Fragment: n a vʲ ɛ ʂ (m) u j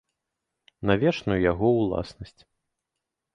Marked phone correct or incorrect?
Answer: incorrect